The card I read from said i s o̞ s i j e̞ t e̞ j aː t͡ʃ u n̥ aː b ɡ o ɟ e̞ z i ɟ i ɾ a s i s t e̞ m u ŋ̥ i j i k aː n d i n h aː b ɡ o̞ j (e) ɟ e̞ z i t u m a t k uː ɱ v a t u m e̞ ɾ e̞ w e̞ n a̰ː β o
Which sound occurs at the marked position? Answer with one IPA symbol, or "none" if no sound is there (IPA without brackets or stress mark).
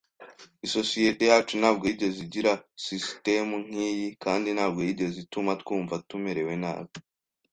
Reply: i